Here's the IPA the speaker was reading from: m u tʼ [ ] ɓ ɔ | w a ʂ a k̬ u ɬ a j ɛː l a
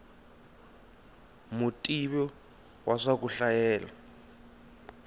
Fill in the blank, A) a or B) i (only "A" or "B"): B